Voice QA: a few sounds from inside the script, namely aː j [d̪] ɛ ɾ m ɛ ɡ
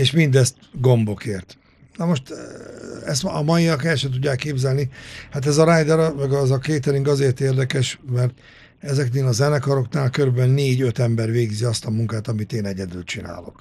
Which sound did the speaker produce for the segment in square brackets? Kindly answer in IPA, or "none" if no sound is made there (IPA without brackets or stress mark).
d̪